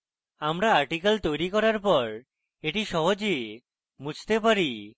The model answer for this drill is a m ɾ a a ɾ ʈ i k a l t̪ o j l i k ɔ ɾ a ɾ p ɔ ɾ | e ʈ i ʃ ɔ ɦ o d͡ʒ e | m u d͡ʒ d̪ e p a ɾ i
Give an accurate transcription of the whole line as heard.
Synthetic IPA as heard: a m ɾ a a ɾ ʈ i k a l t̪ o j ɾ i k ɔ ɾ a ɾ p ɔ ɾ | e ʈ i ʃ ɔ ɦ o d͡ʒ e | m u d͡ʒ t̪ e p a ɾ i